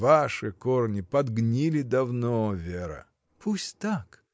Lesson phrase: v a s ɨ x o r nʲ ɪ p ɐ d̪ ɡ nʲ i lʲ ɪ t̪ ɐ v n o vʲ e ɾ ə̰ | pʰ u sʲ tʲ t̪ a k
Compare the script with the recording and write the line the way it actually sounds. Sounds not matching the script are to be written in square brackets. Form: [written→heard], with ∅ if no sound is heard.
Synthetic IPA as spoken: v a [s→ʂ] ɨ [x→k] o r nʲ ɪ p ɐ d̪ ɡ nʲ i lʲ ɪ [t̪→d̪] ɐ v n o vʲ e ɾ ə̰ | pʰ u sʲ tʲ t̪ a k